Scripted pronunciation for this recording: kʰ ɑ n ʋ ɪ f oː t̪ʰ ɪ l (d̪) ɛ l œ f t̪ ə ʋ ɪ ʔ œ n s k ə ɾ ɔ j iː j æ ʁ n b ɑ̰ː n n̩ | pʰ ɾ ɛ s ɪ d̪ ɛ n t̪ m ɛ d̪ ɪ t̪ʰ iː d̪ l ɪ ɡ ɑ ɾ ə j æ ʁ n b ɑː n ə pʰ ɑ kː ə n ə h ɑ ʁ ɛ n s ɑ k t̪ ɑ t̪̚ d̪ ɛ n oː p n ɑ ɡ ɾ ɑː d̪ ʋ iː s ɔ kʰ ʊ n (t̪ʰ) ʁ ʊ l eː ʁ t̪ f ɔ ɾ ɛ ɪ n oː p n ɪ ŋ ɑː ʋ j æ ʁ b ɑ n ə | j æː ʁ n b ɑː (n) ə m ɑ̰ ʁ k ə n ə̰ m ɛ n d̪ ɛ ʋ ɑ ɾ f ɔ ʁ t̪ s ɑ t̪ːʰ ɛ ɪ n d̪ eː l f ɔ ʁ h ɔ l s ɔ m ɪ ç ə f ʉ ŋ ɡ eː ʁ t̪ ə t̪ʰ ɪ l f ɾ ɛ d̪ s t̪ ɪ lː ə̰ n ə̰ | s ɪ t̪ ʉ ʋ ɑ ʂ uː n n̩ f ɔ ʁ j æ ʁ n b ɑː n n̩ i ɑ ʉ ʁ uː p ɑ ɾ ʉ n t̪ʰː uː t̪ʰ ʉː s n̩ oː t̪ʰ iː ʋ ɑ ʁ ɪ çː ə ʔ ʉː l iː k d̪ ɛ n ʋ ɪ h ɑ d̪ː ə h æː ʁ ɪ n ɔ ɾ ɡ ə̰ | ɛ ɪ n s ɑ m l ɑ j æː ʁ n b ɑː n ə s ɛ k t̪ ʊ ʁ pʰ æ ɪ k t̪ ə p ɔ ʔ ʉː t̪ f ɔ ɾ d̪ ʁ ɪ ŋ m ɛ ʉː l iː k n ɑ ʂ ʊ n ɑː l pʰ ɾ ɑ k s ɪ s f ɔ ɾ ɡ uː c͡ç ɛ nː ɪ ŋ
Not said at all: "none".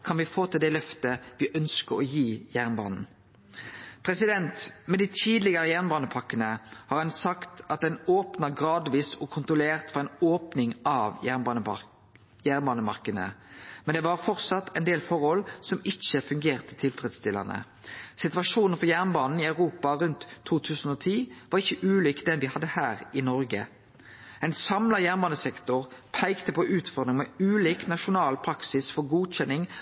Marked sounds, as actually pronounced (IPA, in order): d̪, t̪, n

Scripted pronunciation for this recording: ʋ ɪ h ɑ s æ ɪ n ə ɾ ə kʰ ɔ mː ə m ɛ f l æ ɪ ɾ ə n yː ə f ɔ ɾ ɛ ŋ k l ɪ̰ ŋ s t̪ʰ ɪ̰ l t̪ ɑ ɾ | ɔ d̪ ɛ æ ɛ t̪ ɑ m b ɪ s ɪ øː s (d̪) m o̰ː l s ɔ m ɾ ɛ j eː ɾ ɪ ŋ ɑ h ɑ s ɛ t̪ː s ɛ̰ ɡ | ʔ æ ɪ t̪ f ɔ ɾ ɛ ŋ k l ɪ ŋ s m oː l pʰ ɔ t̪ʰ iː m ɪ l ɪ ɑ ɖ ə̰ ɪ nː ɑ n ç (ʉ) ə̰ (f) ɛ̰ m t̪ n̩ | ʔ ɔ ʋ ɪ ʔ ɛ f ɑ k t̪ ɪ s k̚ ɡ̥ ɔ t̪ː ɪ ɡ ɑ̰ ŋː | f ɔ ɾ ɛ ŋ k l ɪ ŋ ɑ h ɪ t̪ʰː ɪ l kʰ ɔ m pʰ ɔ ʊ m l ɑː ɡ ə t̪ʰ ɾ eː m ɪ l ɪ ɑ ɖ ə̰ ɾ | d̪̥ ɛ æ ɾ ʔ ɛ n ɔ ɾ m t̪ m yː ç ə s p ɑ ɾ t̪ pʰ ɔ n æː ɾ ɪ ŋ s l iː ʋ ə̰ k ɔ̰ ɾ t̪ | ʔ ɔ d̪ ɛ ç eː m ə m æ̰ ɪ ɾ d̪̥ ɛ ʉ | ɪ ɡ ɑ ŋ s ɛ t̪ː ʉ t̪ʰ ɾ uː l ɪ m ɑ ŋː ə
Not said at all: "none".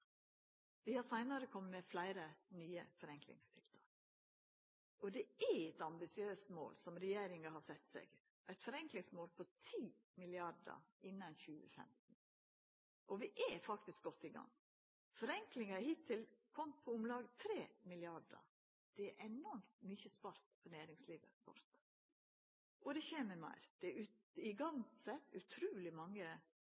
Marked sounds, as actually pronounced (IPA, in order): t̪, ʉː, f

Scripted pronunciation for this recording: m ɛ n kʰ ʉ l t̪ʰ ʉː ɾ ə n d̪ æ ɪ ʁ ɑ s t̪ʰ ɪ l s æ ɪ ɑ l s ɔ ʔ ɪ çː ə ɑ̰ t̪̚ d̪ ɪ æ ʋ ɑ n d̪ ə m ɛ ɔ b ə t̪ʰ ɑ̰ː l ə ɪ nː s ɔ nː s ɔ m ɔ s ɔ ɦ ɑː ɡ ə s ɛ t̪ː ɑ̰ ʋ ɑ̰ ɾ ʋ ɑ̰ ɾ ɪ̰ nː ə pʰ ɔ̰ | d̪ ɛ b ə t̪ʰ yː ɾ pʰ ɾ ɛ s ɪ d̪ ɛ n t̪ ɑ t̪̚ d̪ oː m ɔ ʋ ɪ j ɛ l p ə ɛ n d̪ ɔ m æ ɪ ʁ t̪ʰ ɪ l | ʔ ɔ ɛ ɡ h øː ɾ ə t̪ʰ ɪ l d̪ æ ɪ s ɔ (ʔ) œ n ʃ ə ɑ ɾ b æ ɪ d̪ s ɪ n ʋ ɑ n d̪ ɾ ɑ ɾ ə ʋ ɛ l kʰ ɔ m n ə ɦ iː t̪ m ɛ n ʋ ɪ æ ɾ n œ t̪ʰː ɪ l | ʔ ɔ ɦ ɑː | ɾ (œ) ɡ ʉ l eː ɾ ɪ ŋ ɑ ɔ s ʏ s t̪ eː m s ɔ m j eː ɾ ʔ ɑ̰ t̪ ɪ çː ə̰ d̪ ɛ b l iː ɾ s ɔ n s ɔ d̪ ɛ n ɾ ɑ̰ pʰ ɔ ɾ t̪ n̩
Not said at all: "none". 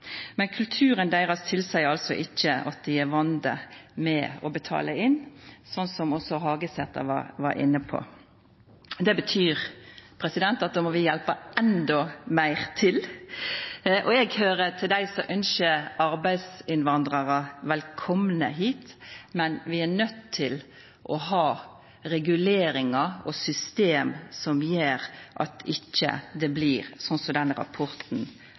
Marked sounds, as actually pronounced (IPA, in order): ʔ, ɛ

